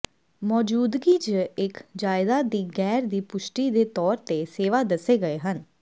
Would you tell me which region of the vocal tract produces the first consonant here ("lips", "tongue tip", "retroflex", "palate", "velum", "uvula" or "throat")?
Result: lips